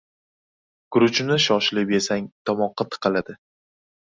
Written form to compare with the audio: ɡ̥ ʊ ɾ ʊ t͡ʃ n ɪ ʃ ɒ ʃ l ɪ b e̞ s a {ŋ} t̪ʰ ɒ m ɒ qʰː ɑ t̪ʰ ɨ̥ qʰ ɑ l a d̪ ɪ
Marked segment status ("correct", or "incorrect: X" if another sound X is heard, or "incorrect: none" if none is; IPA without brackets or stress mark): correct